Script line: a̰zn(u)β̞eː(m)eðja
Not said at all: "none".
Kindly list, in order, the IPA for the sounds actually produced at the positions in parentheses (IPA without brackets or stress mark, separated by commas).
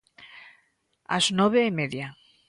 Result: ɔ, m